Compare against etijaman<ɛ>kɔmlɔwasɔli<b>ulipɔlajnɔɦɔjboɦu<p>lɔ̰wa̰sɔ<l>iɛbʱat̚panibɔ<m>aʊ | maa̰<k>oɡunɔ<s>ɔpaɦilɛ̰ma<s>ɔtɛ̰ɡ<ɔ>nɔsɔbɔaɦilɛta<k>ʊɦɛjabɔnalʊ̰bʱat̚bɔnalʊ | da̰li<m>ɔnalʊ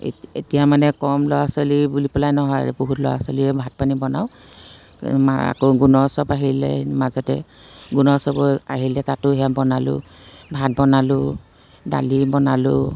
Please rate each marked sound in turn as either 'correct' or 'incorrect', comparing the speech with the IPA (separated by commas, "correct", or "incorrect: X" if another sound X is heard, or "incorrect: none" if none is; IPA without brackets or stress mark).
correct, correct, incorrect: t, correct, incorrect: n, correct, correct, incorrect: z, incorrect: u, incorrect: t, incorrect: b